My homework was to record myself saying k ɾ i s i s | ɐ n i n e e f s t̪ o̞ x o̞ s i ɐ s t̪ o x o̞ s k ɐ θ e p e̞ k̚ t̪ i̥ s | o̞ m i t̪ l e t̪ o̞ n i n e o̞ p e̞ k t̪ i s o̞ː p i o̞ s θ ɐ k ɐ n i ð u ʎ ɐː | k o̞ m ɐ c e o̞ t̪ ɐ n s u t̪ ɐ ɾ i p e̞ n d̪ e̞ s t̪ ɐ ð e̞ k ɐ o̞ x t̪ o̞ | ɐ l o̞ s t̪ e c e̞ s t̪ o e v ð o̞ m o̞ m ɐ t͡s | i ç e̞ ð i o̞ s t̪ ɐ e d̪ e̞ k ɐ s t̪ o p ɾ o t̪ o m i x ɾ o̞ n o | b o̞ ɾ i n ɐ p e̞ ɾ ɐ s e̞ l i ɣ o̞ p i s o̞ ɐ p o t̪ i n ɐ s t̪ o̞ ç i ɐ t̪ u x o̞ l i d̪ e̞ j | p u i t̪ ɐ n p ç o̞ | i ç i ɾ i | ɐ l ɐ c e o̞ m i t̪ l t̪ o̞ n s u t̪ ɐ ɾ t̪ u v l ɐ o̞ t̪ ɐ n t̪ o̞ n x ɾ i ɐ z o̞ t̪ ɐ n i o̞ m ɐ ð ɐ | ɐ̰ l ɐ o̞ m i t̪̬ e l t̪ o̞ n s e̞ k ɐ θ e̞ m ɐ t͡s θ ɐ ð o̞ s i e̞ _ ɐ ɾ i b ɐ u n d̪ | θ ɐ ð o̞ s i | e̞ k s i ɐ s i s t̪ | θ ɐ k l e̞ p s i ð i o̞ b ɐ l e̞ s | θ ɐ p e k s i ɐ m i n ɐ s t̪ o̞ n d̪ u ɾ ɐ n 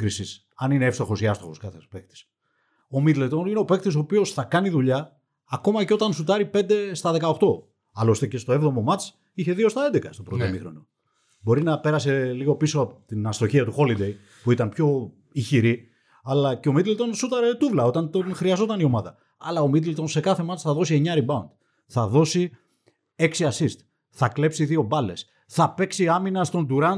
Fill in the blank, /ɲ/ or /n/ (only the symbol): ɲ